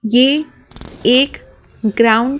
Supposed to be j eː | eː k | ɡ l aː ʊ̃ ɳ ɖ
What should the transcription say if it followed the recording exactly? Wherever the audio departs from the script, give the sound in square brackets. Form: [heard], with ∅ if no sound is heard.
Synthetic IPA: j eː | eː k | ɡ [ɾ] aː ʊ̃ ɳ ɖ